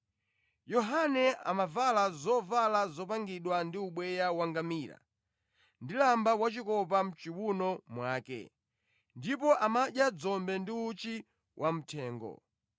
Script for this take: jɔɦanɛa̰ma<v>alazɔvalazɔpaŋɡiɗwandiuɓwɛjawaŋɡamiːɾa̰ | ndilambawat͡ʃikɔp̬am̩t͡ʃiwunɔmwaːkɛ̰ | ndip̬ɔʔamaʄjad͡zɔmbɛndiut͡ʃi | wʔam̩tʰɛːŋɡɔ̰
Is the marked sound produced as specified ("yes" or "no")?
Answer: yes